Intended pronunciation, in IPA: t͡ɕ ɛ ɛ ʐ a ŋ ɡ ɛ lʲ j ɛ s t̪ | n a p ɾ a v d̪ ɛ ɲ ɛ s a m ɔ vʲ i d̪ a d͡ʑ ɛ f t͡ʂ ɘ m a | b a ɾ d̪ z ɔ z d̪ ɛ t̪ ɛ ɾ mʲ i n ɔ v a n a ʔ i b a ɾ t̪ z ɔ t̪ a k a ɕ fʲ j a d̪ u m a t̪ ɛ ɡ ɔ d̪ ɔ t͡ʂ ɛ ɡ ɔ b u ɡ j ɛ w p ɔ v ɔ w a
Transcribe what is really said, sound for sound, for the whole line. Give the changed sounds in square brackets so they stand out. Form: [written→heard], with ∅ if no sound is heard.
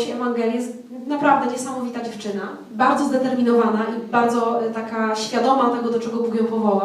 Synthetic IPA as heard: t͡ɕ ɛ ɛ [ʐ→v] a ŋ ɡ ɛ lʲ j ɛ s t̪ | n a p ɾ a v d̪ ɛ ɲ ɛ s a m ɔ vʲ i [d̪→t̪] a d͡ʑ ɛ f t͡ʂ ɘ [m→n] a | b a ɾ d̪ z ɔ z d̪ ɛ t̪ ɛ ɾ mʲ i n ɔ v a n a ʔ i b a ɾ [t̪→d̪] z ɔ t̪ a k a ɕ fʲ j a d̪ [u→ɔ] m a t̪ ɛ ɡ ɔ d̪ ɔ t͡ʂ ɛ ɡ ɔ b u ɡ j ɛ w p ɔ v ɔ w a